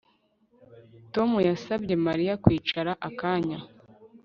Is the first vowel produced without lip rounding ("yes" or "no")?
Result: no